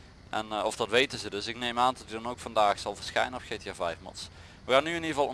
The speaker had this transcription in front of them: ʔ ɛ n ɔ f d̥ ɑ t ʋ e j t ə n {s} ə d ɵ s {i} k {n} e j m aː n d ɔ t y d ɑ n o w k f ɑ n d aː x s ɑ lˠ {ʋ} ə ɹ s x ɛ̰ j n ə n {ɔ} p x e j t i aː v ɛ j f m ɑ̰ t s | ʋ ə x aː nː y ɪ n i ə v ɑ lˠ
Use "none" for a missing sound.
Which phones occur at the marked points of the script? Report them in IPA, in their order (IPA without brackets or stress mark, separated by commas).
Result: z, ɪ, n, v, ɔ